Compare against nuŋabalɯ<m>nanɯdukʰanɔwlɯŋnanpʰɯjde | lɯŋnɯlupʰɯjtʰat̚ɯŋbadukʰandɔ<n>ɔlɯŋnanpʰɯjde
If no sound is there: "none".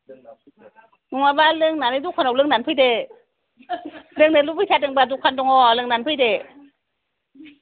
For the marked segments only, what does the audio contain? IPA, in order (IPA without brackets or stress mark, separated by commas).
ŋ, ŋ